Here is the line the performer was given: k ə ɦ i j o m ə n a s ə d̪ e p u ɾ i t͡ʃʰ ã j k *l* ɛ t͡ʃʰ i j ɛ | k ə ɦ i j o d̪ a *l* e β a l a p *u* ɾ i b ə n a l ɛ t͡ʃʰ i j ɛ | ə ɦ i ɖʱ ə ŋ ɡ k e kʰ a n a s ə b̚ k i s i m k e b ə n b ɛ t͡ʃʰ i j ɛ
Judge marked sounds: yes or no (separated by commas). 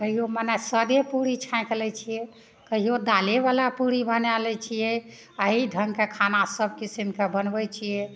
yes, yes, yes